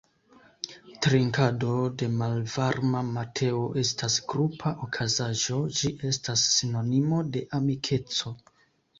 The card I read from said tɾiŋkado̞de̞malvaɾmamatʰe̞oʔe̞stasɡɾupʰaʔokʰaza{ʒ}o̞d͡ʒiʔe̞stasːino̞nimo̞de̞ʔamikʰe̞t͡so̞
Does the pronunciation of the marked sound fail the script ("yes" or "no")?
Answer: no